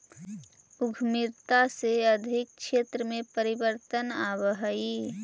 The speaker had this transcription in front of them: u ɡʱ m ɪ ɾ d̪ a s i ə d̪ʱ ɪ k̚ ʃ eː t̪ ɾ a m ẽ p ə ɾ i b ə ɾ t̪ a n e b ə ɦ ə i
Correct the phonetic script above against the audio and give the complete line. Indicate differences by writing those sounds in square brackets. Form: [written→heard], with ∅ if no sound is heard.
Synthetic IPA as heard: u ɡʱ m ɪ ɾ [d̪→t̪] a s [i→e] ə d̪ʱ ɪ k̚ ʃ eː t̪ ɾ [a→ə] m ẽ p ə ɾ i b ə ɾ t̪ [a→ə] n [e→a] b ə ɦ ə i